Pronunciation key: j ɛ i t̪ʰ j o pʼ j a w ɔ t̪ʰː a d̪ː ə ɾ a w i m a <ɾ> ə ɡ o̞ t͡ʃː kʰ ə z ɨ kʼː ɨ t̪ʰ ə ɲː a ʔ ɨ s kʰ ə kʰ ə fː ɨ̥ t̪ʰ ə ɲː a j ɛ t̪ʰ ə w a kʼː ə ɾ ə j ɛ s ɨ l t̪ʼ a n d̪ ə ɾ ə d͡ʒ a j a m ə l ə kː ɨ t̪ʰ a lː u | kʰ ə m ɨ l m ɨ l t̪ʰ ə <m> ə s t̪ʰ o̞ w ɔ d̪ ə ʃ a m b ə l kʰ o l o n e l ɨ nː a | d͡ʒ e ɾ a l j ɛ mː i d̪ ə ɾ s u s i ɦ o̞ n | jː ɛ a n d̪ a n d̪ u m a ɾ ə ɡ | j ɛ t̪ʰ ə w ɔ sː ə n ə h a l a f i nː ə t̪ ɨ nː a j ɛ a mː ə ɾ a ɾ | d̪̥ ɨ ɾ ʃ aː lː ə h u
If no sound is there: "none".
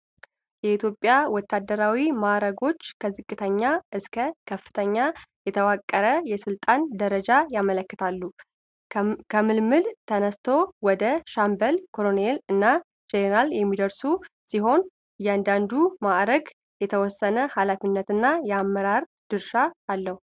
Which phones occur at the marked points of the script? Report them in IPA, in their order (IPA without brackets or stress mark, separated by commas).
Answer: ɾ, n